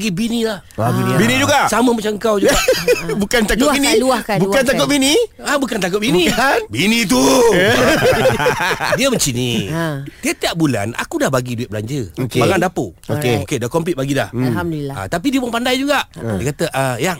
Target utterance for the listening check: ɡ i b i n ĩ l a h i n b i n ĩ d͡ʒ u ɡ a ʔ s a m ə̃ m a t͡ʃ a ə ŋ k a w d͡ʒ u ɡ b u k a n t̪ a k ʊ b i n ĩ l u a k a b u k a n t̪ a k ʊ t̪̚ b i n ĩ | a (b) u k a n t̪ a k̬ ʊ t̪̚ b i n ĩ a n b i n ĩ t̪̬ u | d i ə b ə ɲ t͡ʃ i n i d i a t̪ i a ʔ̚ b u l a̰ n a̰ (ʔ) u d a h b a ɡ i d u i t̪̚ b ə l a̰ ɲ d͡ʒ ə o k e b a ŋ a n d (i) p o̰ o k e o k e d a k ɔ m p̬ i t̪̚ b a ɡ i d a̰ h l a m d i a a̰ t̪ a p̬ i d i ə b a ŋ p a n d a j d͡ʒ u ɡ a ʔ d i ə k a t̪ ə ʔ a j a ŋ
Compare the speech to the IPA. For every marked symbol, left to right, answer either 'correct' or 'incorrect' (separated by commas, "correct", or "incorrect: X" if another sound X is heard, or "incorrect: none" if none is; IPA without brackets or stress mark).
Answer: correct, incorrect: k, incorrect: a